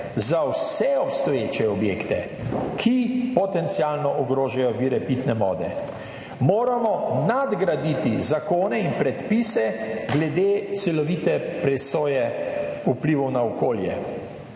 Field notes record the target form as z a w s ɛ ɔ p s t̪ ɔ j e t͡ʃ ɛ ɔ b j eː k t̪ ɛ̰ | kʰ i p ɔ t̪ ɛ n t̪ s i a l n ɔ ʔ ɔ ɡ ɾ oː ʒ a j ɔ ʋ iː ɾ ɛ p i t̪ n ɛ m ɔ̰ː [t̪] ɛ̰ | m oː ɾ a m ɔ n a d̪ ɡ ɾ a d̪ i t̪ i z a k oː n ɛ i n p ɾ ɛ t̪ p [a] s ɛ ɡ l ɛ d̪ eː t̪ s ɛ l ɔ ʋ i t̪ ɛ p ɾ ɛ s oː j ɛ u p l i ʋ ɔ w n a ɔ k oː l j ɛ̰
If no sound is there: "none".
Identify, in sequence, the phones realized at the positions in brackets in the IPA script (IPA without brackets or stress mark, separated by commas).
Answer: d̪, i